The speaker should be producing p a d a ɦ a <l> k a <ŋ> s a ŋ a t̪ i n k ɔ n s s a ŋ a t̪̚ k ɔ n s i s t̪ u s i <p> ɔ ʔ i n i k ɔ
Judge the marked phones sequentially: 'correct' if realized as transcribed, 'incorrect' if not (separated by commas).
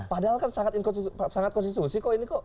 correct, incorrect, incorrect